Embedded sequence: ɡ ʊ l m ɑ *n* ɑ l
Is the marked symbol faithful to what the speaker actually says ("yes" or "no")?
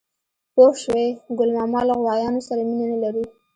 no